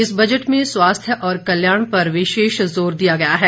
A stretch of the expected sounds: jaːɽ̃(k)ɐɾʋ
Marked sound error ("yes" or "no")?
yes